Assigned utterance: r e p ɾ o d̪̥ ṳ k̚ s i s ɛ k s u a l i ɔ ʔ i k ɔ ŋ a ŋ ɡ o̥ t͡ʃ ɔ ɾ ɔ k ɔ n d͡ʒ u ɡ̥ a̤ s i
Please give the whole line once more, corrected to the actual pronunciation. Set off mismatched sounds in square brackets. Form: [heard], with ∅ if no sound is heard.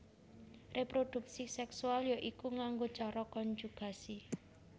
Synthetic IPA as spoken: r e p ɾ o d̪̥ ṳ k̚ s i s ɛ k s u a l [j] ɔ ʔ i k [u] ŋ a ŋ ɡ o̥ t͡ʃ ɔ ɾ ɔ k ɔ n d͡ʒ u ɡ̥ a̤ s i